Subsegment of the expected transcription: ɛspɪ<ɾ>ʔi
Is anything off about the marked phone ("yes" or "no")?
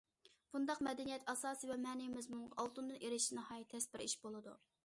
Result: no